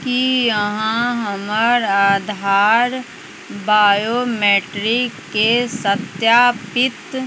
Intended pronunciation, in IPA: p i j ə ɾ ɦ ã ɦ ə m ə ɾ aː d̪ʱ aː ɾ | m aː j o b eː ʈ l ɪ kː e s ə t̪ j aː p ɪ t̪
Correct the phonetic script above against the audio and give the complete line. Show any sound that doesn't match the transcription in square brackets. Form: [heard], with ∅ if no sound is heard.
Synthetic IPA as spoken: [k] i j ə [∅] ɦ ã ɦ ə m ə ɾ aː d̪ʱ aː ɾ | [b] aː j o [m] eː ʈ [ɾ] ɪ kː e s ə t̪ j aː p ɪ t̪

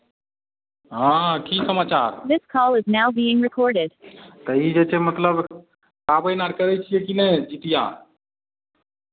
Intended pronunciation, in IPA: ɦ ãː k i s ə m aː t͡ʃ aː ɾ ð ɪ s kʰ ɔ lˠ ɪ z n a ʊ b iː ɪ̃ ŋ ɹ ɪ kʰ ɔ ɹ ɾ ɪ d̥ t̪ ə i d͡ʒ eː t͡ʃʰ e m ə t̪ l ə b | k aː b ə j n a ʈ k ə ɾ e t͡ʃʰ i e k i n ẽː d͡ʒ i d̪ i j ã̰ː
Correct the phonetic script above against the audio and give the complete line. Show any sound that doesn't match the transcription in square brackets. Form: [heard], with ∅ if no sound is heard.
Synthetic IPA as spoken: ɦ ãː k i s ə m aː t͡ʃ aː ɾ ð ɪ s kʰ ɔ lˠ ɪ z n a ʊ b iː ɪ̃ ŋ ɹ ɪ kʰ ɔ ɹ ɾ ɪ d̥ t̪ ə i d͡ʒ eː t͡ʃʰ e m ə t̪ l ə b | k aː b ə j n a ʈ k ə ɾ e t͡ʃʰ i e k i n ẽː d͡ʒ i [t̪] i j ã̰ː

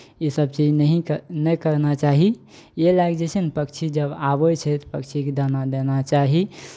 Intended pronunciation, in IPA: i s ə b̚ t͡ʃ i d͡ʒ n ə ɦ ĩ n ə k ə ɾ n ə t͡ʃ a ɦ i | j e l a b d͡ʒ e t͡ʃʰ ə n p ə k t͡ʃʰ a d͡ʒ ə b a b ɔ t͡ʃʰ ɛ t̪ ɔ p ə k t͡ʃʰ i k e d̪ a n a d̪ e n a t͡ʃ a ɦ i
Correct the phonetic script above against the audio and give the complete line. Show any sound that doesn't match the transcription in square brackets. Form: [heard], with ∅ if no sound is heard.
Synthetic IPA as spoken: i s ə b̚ t͡ʃ i d͡ʒ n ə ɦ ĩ n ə k ə ɾ n [a] t͡ʃ a ɦ i | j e l a [ɡ] d͡ʒ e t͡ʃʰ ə n p ə k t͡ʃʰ [i] d͡ʒ ə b a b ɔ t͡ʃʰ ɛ t̪ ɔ p ə k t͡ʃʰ i k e d̪ a n a d̪ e n a t͡ʃ a ɦ i

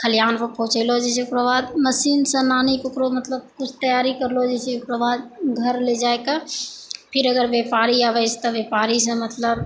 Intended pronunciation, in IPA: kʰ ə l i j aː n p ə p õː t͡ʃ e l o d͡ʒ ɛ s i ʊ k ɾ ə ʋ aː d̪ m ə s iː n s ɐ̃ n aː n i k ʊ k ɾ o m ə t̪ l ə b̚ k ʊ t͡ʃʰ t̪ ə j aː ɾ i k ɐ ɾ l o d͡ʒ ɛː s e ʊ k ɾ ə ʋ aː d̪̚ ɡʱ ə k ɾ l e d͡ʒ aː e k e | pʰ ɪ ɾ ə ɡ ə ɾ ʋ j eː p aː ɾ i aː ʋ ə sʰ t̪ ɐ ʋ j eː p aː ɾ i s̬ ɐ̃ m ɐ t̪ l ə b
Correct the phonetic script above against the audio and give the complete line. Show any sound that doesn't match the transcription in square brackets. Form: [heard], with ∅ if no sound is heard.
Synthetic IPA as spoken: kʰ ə l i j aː n p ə p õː t͡ʃ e l o d͡ʒ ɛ s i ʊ k ɾ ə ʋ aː d̪ m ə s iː n s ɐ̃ n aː n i k ʊ k ɾ o m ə t̪ l ə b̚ k ʊ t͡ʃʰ t̪ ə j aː ɾ i k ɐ ɾ l o d͡ʒ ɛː s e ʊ k ɾ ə ʋ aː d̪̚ ɡʱ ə [∅] ɾ l e d͡ʒ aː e k [a] | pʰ ɪ ɾ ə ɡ ə ɾ ʋ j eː p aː ɾ i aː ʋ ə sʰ t̪ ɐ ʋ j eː p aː ɾ i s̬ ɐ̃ m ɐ t̪ l ə b

